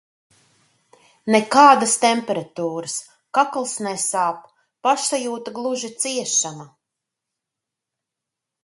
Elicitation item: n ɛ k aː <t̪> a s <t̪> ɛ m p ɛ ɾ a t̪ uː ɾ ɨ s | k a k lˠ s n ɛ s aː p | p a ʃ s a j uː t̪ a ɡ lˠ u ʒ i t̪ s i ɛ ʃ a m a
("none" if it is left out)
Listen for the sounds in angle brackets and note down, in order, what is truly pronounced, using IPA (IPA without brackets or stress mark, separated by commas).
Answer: d̪, t̪